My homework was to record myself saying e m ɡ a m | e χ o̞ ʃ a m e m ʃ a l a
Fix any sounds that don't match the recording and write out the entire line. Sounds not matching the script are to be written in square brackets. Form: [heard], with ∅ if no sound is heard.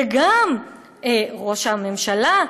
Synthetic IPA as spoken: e [∅] ɡ a m | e [ʁ] o̞ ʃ a m e m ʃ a l a

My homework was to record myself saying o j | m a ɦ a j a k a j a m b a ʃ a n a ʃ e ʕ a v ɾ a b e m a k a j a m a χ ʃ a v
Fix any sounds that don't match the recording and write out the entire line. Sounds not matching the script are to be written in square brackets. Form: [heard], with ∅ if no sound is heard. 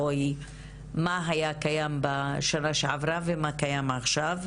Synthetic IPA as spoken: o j | m a ɦ a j a k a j a m b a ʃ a n a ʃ e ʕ a v ɾ a [v] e m a k a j a m a χ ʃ a v

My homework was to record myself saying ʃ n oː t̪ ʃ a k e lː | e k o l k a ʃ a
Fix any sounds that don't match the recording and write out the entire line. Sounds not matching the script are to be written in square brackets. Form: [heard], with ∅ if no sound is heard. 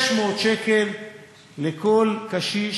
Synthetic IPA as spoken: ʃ [m] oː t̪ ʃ [e] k e lː | e k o l k a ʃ [i]

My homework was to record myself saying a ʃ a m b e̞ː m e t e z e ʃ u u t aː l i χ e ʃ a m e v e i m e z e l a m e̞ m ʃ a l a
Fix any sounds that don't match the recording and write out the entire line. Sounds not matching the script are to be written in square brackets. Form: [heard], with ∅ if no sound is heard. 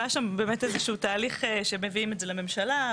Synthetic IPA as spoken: a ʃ a m b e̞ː m e t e z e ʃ u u t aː l i χ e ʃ [e] m e v [i] i m e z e l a m e̞ m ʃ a l a

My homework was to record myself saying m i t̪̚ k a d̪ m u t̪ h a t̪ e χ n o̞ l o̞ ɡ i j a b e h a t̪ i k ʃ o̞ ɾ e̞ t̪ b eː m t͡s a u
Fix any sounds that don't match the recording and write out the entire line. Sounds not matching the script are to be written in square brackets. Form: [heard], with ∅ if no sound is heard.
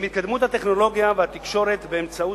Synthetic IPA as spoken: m i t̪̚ k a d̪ m u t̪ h a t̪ e χ n o̞ l o̞ ɡ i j a [v] e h a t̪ i k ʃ o̞ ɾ e̞ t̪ b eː m t͡s a u

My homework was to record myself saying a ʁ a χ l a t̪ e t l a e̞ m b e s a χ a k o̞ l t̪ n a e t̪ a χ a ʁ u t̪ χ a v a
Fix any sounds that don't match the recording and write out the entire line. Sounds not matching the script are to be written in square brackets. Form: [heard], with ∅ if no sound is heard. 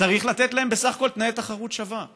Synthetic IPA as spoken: a ʁ [i] χ l a t̪ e t l a e̞ m b e s a χ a k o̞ l t̪ n a e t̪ a χ a ʁ u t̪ [ʃ] a v a

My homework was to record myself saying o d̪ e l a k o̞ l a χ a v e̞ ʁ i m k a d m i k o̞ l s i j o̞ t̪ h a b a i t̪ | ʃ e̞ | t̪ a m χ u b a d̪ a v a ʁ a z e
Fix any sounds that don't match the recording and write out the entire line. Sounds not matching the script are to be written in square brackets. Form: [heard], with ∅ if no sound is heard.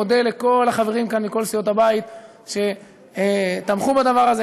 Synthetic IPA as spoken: o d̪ e l [e] k o̞ l a χ a v e̞ ʁ i m k a [n] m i k o̞ l s i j o̞ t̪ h a b a i t̪ | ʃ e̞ | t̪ a m χ u b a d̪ a v a ʁ a z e

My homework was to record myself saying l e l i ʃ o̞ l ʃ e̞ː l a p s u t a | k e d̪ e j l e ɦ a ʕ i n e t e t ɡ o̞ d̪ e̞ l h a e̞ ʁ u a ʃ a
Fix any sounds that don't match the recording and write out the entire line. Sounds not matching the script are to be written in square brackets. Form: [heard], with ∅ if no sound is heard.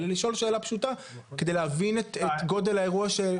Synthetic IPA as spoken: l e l i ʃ o̞ l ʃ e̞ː l a p [ʃ] u t a | k e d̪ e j l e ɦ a [v] i n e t e t ɡ o̞ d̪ e̞ l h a e̞ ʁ u a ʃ [e]

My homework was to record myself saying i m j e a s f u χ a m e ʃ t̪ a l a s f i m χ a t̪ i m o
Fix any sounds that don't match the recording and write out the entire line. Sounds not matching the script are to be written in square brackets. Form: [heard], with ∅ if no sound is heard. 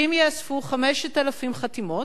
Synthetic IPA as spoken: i m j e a s f u χ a m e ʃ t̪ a l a [∅] f i m χ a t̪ i m o

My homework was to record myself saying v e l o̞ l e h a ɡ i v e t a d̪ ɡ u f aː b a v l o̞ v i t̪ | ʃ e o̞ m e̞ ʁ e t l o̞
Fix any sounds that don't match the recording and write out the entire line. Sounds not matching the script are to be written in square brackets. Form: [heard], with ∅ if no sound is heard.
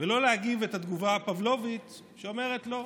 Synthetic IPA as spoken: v e l o̞ l e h a ɡ i v e t a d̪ ɡ u [v] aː [p] a v l o̞ v i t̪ | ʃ e o̞ m e̞ ʁ e t l o̞

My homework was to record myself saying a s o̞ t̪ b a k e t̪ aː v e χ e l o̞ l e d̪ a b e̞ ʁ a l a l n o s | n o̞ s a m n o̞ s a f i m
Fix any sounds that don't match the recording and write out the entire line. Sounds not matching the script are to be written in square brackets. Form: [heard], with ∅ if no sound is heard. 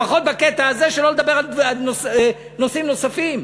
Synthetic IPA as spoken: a [χ] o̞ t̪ b a k e t̪ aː [z] e [ʃ] e l o̞ l e d̪ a b e̞ ʁ a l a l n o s | n o̞ s [i] m n o̞ s a f i m

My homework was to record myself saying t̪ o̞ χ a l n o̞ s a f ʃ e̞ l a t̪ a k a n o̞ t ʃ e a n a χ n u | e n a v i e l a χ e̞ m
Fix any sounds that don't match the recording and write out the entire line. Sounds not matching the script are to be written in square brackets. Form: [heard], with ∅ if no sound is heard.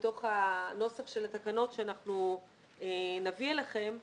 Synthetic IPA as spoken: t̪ o̞ χ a [∅] n o̞ s a f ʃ e̞ l a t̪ a k a n o̞ t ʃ e a n a χ n u | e n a v i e l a χ e̞ m

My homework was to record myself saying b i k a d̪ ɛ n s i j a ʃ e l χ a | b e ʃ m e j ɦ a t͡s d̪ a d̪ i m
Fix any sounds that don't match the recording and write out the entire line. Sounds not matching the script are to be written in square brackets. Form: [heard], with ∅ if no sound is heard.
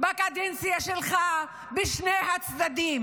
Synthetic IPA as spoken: b [a] k a d̪ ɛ n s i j a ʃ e l χ a | b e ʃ [n] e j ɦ a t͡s d̪ a d̪ i m

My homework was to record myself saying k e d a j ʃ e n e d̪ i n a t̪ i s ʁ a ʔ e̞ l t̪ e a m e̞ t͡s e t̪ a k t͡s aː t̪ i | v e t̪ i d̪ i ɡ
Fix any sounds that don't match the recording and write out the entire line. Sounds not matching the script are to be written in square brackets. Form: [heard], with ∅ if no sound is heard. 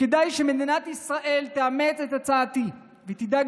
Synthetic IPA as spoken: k e d a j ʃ e [m] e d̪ i n a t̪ i s ʁ a ʔ e̞ l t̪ e a m e̞ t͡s e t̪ a [∅] t͡s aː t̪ i | v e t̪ i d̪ [a] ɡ

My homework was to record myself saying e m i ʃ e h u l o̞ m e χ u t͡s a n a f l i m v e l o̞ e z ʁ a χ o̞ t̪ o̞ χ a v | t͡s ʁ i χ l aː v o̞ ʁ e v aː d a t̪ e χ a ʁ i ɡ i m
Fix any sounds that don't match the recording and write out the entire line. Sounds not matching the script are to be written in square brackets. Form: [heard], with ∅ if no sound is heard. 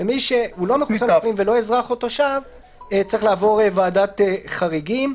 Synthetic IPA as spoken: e m i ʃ e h u l o̞ m e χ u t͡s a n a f l i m v e l o̞ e z ʁ a χ o̞ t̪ o̞ [ʃ] a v | t͡s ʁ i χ l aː v o̞ ʁ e v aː d a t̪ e χ a ʁ i ɡ i m

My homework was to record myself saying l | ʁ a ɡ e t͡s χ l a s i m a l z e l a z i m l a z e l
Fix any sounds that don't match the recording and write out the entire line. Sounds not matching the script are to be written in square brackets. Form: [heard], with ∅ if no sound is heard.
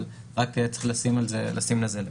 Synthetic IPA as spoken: l | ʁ a [k] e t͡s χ l a s i m a l z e l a [s] i m l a z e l

